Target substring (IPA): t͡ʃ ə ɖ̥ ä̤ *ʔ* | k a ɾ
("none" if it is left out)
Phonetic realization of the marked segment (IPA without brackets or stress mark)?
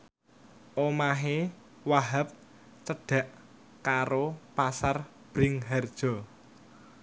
ʔ